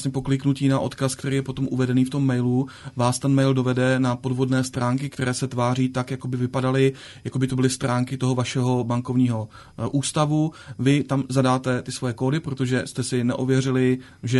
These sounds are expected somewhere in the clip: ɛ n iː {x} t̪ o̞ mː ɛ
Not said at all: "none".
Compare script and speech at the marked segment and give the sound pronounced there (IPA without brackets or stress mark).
f